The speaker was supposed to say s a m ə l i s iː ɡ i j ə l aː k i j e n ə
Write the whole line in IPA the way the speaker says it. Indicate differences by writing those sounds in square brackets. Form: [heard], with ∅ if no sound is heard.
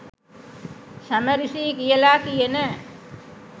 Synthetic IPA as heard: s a m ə [ɾ] i s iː [k] i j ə l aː k i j e n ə